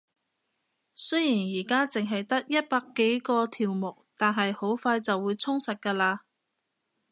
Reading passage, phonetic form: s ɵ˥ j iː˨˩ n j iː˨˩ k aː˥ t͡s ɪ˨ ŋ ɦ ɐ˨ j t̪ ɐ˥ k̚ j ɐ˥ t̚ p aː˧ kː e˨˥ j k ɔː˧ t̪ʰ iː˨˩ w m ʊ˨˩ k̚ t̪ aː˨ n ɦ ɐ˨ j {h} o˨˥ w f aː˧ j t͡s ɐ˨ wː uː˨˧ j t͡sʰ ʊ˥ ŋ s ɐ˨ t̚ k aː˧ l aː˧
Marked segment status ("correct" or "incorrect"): correct